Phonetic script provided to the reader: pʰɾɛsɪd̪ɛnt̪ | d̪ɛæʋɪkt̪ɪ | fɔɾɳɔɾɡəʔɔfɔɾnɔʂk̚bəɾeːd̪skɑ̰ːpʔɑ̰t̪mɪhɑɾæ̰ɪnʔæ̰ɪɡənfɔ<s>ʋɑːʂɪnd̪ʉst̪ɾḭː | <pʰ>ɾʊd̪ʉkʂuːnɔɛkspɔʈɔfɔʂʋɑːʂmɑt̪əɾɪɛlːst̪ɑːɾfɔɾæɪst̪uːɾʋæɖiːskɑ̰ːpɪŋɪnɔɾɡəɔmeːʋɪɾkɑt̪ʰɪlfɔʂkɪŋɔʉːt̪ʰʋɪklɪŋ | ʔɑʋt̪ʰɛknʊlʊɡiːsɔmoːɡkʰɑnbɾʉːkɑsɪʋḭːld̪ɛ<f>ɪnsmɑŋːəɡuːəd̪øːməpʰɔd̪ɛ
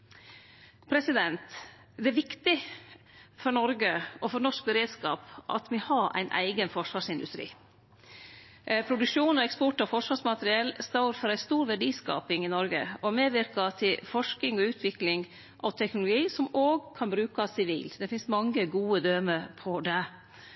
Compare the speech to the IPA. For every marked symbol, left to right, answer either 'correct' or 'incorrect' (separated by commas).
incorrect, correct, correct